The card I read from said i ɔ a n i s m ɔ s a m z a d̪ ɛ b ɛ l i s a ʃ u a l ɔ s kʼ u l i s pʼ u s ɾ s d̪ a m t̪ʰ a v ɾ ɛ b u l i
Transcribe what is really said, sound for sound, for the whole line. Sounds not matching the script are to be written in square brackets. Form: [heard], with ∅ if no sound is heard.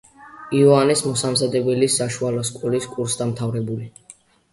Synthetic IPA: i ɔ a n i s m ɔ s a m z a d̪ ɛ b ɛ l i s a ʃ u a l ɔ s kʼ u l i s [kʼ] u [∅] ɾ s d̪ a m t̪ʰ a v ɾ ɛ b u l i